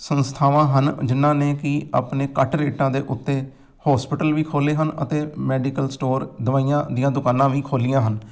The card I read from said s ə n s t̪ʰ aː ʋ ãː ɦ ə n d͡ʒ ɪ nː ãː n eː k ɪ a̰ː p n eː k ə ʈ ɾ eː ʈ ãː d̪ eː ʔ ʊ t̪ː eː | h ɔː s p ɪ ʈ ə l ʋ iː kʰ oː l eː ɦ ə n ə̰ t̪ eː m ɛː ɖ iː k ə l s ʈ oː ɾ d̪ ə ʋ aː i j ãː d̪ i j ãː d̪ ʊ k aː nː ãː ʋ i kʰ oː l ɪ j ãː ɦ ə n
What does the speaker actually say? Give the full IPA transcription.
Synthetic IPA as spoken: s ə n s t̪ʰ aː ʋ ãː ɦ ə n d͡ʒ ɪ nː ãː n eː k ɪ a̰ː p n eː k ə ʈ ɾ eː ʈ ãː d̪ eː ʔ ʊ t̪ː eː | h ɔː s p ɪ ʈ ə l ʋ iː kʰ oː l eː ɦ ə n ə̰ t̪ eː m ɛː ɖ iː k ə l s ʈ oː ɾ d̪ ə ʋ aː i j ãː d̪ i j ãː d̪ ʊ k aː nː ãː ʋ iː kʰ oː l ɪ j ãː ɦ ə n